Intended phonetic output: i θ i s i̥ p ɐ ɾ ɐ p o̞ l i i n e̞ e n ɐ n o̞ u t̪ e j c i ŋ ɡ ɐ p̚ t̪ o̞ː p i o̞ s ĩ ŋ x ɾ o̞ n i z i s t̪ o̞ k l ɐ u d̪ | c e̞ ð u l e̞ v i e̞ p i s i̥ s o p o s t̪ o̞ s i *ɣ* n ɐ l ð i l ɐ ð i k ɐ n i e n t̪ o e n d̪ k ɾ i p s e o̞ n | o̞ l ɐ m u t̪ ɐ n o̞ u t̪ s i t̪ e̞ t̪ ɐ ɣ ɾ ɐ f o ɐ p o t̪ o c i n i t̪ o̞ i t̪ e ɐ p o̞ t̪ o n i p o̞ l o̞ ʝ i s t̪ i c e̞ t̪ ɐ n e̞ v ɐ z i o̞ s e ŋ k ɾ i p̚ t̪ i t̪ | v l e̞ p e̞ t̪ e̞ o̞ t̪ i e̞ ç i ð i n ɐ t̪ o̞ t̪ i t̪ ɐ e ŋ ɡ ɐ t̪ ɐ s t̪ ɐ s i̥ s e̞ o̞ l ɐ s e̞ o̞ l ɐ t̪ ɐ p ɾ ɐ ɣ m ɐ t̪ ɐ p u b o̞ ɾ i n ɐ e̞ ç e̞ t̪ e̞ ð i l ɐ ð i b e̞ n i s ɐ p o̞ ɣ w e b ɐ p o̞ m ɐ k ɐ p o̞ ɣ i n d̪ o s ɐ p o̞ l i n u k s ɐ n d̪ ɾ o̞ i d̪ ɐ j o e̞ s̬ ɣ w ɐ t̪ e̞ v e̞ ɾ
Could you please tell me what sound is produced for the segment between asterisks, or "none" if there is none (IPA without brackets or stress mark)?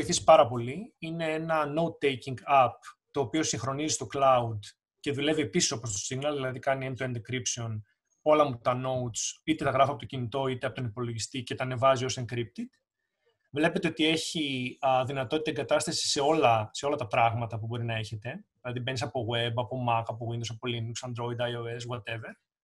ɣ